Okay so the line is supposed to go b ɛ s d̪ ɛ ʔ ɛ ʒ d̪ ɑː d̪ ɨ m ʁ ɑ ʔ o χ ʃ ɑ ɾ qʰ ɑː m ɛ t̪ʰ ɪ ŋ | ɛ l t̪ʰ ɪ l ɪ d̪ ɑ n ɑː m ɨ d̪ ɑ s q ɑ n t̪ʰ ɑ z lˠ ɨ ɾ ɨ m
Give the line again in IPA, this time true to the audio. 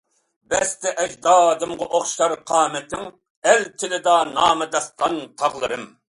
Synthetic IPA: b ɛ s t̪ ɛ ʔ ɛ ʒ d̪ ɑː d̪ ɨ m ʁ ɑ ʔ o χ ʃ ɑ ɾ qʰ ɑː m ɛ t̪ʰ ɪ ŋ | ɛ l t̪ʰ ɪ l ɪ d̪ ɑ n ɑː m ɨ d̪ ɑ s q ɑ n t̪ʰ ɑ ʁ lˠ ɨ ɾ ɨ m